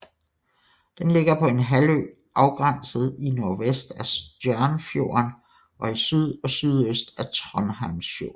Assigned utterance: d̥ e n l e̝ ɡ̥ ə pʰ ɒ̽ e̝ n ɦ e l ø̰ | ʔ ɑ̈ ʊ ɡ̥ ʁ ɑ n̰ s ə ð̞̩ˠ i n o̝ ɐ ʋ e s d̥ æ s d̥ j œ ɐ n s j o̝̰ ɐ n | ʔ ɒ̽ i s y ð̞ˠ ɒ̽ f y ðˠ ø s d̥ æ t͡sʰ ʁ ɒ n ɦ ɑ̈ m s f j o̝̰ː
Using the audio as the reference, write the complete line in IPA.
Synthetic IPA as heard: d̥ e n l e̝ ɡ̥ ɐ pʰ ɒ̽ e̝ n ɦ æ l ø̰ | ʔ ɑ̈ ʊ ɡ̥ ʁ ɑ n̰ s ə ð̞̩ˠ i n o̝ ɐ ʋ e s d̥ æ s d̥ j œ ɐ n f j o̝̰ ɐ n | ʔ ɒ̽ i s y ð̞ˠ ɒ̽ s y ðˠ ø s d̥ æ t͡sʰ ʁ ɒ n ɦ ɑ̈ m s f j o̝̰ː